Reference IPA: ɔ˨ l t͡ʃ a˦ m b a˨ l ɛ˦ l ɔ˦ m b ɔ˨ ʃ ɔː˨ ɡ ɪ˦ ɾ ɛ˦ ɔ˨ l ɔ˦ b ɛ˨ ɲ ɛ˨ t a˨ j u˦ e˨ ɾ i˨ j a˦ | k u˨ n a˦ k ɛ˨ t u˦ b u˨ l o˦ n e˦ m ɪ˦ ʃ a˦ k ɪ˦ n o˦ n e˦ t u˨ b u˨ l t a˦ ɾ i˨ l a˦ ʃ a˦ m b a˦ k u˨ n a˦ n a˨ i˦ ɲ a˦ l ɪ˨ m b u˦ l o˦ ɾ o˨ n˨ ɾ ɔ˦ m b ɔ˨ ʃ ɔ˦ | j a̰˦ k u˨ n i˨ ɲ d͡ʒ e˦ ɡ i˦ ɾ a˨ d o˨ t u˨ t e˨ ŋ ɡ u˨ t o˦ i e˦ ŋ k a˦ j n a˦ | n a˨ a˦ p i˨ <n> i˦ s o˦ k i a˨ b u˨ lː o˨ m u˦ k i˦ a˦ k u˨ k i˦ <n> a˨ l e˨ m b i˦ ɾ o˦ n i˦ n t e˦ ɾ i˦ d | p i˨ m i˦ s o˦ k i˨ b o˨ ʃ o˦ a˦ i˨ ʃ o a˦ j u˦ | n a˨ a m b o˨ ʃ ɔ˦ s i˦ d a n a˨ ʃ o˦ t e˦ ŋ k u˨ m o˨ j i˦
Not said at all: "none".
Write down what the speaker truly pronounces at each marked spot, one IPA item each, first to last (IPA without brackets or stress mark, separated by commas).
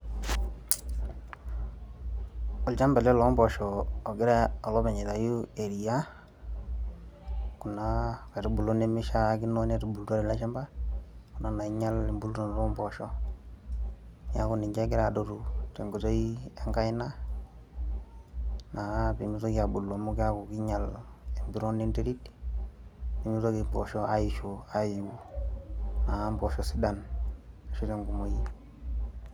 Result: m, ɲ